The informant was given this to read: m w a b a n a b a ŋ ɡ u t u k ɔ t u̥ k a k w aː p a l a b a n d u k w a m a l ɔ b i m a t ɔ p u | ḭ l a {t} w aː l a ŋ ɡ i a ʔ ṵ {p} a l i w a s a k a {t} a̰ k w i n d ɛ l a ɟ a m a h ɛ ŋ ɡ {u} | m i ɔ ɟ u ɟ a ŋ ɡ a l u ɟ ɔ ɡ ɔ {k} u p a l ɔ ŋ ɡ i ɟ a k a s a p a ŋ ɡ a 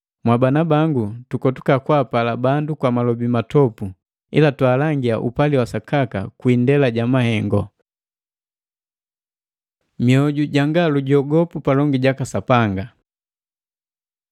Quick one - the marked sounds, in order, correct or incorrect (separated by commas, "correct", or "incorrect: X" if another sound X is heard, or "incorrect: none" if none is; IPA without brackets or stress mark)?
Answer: correct, correct, incorrect: k, incorrect: ɔ, incorrect: p